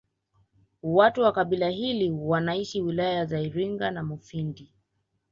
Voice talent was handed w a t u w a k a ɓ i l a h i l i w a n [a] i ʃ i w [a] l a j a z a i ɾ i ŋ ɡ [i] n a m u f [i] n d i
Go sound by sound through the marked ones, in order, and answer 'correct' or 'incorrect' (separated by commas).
correct, incorrect, incorrect, correct